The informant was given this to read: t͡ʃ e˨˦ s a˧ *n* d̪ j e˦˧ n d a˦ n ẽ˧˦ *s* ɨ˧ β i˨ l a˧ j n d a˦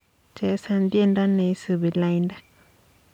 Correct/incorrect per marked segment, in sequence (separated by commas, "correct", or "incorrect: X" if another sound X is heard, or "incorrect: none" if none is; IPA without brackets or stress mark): correct, correct